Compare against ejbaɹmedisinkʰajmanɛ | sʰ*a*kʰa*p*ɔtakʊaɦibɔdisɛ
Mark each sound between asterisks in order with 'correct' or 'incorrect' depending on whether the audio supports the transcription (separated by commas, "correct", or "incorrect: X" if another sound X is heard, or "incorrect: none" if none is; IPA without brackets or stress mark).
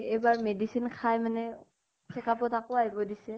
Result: incorrect: ɛ, correct